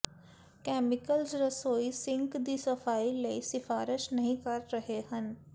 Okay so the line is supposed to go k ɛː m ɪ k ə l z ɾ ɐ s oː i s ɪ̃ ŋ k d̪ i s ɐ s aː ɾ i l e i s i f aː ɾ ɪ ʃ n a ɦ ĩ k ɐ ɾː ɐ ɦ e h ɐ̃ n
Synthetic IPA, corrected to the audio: k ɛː m ɪ k ə l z ɾ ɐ s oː i s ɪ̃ ŋ k d̪ i s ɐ f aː i l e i s ɪ f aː ɾ ɪ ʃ n ɐ ɦ ĩ k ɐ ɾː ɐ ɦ e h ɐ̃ n